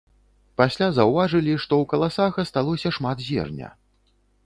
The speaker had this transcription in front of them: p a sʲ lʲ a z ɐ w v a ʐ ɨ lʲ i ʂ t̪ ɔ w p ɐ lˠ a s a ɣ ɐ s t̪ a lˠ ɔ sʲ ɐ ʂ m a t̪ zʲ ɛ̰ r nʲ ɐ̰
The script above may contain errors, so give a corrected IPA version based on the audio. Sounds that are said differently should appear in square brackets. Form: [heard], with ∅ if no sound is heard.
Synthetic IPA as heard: p a sʲ lʲ a z ɐ w v a ʐ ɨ lʲ i ʂ t̪ ɔ w [k] ɐ lˠ a s a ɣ ɐ s t̪ a lˠ ɔ sʲ ɐ ʂ m a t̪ zʲ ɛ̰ r nʲ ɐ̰